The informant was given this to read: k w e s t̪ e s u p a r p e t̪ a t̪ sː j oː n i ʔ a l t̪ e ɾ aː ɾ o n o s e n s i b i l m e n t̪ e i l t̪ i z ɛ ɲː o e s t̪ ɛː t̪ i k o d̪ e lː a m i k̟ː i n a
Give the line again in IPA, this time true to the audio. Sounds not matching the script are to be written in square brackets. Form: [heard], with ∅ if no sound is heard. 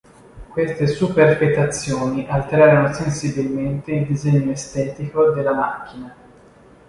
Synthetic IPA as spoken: k w e s t̪ e s u p [e] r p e t̪ a t̪ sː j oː n i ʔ a l t̪ e ɾ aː ɾ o n o s e n s i b i l m e n t̪ e i l [d̪] i z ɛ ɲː o e s t̪ ɛː t̪ i k o d̪ e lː a m [a] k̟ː i n a